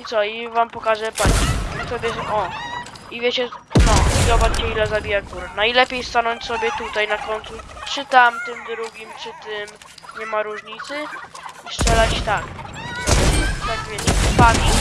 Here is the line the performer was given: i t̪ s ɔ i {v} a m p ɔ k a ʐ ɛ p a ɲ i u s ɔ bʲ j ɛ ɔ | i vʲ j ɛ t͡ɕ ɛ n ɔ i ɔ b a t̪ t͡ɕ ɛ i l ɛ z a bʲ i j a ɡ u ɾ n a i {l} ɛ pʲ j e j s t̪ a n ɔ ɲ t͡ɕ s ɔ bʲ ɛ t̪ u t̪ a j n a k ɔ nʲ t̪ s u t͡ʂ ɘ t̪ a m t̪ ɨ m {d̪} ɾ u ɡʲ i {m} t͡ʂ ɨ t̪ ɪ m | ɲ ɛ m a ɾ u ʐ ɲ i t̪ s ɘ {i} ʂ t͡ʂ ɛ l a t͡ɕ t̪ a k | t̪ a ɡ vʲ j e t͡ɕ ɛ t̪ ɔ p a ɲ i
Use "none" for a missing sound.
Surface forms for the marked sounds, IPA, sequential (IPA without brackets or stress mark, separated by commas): v, l, d̪, m, i